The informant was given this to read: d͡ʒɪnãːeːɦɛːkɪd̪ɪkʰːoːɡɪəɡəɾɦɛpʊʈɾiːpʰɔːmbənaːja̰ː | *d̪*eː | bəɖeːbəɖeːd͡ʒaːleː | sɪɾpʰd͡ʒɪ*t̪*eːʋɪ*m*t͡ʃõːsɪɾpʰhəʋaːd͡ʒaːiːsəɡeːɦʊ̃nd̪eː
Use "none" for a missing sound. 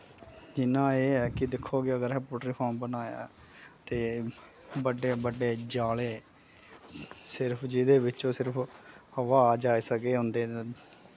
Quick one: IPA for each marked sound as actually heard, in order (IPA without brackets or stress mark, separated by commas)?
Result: t̪, d̪, none